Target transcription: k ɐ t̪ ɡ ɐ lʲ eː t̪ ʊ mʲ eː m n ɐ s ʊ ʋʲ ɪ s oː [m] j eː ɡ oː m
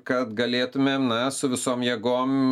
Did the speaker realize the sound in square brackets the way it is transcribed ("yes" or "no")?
yes